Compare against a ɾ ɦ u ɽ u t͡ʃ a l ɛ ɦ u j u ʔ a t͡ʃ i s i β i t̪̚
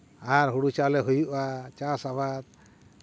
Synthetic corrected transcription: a ɾ ɦ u ɽ u t͡ʃ a l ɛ ɦ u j u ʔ a t͡ʃ a s a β a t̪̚